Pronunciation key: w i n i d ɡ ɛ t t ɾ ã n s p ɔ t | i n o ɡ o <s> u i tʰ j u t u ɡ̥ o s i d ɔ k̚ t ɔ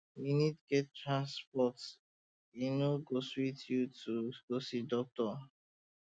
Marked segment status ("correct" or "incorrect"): correct